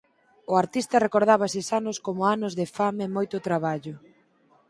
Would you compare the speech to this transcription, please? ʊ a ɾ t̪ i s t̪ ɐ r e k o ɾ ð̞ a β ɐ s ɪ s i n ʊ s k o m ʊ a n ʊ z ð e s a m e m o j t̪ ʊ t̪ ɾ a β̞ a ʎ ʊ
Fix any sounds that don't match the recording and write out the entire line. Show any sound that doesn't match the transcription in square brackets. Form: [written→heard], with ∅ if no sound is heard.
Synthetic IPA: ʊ a ɾ t̪ i s t̪ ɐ r e k o ɾ ð̞ a β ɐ s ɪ s [i→a] n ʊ s k o m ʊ a n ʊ z ð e [s→f] a m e m o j t̪ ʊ t̪ ɾ a β̞ a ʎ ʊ